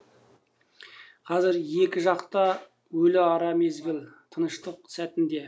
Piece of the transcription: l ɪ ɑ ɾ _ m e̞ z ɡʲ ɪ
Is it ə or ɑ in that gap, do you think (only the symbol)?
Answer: ɑ